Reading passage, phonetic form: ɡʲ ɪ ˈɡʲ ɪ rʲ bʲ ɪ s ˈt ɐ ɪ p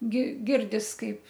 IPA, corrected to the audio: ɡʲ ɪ ˈɡʲ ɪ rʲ dʲ ɪ s ˈk ɐ ɪ p